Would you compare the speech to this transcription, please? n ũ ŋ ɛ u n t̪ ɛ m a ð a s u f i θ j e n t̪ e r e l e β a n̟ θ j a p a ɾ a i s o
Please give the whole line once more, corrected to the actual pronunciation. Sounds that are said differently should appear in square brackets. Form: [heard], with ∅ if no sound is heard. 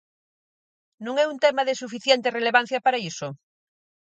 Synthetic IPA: n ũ ŋ ɛ u n t̪ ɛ m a ð [e] s u f i θ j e n t̪ e r e l e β a n̟ θ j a p a ɾ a i s o